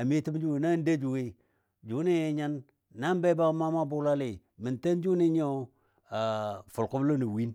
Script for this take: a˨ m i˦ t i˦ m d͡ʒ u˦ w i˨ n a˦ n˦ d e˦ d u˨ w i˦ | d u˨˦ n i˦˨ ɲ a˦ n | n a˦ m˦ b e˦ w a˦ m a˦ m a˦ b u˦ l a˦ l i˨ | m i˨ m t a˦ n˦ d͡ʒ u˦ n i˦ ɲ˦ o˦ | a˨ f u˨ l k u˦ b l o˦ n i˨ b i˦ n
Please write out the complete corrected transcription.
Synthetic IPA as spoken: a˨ m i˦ t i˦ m d͡ʒ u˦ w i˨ n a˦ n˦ d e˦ d͡ʒ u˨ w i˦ | d͡ʒ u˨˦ n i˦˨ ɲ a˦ n | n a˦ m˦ b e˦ b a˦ m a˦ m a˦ b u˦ l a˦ l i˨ | m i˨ n t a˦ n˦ d͡ʒ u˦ n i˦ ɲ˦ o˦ | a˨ f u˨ l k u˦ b l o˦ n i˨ w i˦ n